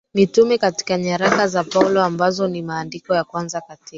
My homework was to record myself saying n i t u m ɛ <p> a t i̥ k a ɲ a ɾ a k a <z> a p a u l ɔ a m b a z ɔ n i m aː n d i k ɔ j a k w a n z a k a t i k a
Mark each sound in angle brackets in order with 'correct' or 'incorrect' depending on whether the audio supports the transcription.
incorrect, correct

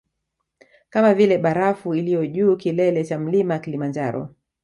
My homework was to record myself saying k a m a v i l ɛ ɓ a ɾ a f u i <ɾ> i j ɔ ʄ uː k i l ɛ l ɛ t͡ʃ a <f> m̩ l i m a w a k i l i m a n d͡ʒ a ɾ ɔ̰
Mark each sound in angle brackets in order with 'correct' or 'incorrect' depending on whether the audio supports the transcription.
incorrect, incorrect

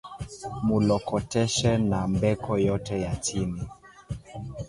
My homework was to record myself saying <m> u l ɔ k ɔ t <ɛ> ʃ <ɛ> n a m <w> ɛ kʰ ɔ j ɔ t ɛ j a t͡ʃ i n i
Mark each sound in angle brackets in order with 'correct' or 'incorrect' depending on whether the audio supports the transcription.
correct, correct, correct, incorrect

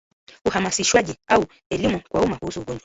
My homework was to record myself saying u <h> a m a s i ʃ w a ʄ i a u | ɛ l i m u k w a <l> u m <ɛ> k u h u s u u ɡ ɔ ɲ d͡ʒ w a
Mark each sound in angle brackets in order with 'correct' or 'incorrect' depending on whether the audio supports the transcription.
correct, incorrect, incorrect

